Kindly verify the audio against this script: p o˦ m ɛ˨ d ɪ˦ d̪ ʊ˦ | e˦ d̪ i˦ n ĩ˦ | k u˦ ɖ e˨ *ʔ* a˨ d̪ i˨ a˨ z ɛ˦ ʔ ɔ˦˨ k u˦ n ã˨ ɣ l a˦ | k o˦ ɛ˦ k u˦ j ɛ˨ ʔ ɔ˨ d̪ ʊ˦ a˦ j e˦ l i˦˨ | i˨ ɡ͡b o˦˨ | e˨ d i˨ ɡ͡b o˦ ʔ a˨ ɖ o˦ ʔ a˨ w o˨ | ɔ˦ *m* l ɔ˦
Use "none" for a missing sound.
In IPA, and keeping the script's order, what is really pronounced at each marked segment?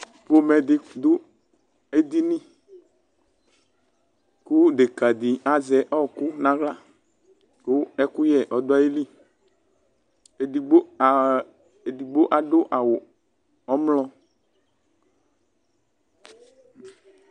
k, m

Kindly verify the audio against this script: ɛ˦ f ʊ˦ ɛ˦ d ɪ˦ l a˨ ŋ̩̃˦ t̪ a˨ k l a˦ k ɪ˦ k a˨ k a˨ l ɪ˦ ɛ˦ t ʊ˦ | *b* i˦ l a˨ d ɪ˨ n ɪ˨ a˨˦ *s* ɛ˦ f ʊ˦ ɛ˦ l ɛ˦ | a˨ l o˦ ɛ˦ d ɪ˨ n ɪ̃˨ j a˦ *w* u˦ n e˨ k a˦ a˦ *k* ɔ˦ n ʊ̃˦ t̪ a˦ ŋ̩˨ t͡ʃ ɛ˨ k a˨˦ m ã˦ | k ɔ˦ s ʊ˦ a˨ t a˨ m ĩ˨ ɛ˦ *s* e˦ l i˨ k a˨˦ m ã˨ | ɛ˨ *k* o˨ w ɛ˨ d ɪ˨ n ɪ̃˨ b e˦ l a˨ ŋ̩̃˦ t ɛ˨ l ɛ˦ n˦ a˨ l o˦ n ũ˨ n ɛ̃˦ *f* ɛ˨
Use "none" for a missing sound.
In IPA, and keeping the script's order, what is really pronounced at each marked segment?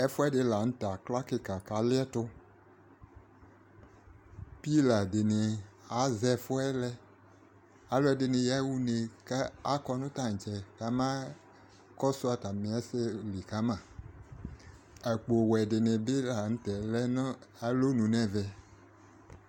p, z, w, k, s, k͡p, v

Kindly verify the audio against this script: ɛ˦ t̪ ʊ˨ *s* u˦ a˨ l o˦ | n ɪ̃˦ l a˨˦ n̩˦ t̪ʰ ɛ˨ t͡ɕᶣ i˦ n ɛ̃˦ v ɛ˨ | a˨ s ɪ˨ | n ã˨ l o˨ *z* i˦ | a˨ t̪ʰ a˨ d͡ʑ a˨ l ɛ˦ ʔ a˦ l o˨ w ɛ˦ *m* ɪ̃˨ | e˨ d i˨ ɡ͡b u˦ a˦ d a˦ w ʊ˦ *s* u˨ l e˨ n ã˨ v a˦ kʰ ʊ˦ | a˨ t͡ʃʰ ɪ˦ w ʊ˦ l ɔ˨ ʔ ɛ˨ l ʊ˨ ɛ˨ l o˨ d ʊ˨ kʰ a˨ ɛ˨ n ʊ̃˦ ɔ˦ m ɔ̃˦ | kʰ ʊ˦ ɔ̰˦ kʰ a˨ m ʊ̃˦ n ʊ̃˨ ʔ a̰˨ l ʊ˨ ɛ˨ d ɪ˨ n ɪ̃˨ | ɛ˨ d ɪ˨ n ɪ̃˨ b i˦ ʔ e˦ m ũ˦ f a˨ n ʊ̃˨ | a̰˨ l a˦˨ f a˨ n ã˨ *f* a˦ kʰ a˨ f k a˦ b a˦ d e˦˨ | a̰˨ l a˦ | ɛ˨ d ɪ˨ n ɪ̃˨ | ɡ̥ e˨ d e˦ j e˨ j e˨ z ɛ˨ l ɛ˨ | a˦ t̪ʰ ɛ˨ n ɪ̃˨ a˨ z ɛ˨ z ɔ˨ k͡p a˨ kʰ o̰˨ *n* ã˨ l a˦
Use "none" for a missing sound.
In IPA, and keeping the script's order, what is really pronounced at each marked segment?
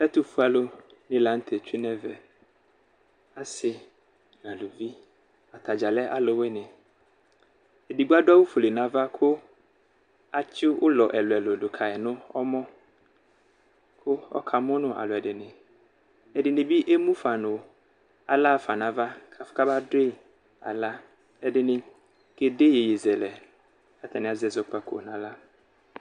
f, v, n, f, v, n

